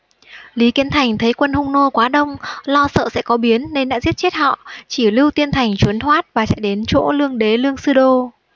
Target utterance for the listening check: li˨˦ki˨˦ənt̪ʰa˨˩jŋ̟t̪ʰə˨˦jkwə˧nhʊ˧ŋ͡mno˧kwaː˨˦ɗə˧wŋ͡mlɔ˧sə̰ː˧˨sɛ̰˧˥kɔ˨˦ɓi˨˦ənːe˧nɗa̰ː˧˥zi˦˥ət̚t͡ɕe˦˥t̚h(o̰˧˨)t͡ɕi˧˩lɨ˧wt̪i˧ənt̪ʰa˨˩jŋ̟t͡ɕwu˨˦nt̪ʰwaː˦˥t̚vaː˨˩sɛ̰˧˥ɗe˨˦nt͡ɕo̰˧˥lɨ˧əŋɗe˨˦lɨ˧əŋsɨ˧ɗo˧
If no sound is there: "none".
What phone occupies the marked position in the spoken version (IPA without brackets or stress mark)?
ɔ̰˧˨